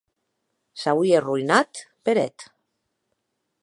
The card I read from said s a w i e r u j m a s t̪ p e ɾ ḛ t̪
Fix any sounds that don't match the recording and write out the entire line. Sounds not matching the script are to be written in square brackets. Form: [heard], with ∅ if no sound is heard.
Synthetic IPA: s a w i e r u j [n] a [∅] t̪ p e ɾ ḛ t̪